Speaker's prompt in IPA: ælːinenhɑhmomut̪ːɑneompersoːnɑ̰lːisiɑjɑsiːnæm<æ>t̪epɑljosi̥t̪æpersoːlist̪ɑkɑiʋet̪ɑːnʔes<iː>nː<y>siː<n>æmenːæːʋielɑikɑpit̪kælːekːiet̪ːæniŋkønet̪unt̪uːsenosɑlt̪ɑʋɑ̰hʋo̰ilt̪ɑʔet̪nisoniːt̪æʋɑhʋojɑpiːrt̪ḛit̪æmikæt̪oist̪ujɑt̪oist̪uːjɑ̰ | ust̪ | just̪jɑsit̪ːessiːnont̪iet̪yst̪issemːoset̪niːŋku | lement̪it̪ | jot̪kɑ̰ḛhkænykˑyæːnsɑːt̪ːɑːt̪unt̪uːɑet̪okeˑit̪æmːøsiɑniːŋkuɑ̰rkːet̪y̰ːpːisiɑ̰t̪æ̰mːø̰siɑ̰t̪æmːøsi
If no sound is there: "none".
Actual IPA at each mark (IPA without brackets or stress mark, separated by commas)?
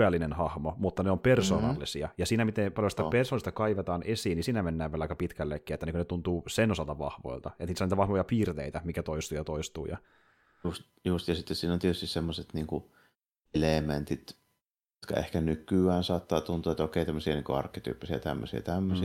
i, iː, i, n